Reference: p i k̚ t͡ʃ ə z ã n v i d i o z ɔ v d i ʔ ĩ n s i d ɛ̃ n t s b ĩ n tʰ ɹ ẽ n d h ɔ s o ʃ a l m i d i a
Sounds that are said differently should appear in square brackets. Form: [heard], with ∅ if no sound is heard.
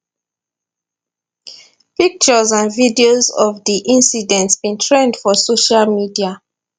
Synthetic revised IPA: p i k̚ t͡ʃ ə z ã n v i d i o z ɔ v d i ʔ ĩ n s i d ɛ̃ n t s b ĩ n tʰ ɹ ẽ n d [f] ɔ s o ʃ a l m i d i a